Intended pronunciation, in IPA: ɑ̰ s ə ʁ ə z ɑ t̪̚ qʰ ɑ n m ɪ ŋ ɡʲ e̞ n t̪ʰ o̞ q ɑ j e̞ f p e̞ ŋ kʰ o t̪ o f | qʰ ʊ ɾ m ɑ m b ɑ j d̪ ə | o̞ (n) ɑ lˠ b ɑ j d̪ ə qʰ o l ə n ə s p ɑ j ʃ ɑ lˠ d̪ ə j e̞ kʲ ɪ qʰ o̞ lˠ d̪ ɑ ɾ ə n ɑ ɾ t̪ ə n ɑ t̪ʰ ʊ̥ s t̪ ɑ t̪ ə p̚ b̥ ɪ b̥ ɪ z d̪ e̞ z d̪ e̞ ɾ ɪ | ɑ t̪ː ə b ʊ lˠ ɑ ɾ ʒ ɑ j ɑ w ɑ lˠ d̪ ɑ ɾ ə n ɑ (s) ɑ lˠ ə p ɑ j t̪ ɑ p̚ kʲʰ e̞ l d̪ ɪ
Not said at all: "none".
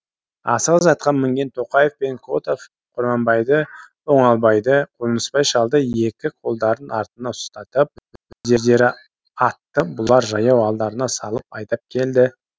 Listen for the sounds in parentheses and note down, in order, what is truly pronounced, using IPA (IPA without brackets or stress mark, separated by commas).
ɴ, s